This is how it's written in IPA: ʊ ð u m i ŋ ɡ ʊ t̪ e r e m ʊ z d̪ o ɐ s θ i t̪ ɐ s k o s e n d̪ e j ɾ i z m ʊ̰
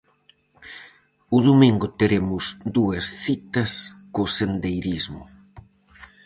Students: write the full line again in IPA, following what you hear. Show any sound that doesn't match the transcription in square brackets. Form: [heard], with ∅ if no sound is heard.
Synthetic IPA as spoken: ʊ ð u m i ŋ ɡ ʊ t̪ e [ɾ] e m ʊ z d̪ [u] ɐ s θ i t̪ ɐ s k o s e n d̪ e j ɾ i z m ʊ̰